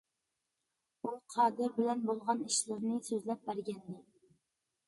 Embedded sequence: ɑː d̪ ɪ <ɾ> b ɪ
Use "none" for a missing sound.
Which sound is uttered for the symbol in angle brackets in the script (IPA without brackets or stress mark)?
ɾ